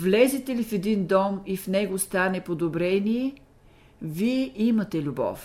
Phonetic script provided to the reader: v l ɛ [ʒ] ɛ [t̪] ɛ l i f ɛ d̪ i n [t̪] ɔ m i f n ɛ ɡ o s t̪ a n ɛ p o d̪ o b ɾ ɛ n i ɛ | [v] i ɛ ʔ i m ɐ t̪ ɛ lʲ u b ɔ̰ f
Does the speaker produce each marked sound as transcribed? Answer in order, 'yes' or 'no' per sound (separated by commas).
no, yes, no, yes